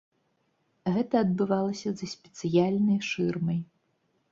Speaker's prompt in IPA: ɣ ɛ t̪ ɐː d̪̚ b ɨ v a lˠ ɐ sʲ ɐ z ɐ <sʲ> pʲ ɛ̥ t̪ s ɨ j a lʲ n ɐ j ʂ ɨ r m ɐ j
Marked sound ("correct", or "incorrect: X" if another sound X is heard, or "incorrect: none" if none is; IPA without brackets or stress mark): correct